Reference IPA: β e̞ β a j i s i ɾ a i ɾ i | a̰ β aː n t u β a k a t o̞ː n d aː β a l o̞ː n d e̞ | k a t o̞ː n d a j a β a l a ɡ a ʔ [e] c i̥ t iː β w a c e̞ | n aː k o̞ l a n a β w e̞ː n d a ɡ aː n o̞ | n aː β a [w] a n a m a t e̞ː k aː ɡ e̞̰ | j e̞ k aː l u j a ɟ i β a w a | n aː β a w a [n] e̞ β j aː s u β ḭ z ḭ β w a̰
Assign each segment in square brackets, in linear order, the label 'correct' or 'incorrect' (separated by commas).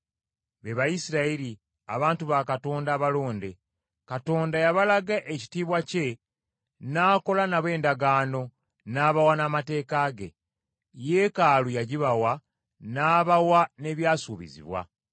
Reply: correct, correct, correct